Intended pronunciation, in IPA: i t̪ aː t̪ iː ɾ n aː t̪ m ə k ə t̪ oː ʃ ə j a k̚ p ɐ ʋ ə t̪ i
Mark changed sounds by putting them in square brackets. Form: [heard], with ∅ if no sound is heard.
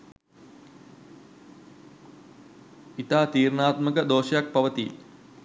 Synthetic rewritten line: i t̪ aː t̪ iː ɾ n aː t̪ m ə k ə [d̪] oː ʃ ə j a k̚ p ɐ ʋ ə t̪ i